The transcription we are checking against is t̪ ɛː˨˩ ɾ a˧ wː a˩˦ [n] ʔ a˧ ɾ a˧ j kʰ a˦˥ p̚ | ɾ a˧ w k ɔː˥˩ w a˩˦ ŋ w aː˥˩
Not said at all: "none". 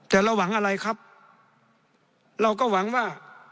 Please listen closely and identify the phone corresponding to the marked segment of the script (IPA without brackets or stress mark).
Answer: ŋ